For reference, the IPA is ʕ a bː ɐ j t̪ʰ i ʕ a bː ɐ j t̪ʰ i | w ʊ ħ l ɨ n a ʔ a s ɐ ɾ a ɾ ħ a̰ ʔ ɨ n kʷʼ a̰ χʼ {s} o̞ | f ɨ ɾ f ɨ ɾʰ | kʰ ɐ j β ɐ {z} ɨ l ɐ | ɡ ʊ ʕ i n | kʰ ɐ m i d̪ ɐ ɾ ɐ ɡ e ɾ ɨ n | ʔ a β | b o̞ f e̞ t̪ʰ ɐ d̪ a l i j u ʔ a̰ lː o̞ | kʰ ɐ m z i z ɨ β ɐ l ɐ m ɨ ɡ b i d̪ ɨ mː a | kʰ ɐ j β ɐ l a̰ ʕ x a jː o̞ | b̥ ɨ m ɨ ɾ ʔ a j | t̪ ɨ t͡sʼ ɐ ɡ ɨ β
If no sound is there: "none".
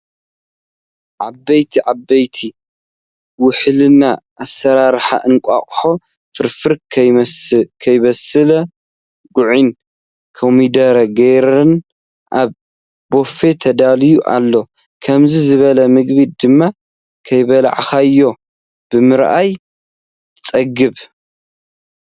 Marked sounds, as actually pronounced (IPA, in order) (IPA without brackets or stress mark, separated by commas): ħ, s